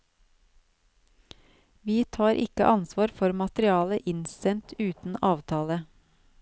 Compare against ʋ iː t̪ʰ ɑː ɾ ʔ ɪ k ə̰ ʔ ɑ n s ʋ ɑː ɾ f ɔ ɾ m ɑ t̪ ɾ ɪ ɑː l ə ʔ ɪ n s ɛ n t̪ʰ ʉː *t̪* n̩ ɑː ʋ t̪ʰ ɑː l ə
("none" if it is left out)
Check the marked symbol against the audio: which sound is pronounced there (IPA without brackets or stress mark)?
t̪